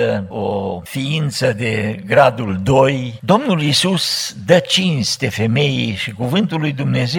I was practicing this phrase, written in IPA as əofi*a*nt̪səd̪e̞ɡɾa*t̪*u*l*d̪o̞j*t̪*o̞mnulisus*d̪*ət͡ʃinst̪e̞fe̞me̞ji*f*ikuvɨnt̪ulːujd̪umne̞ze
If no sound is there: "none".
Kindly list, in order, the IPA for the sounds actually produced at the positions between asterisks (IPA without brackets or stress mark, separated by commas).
i, d̪, l, d̪, d̪, ʃ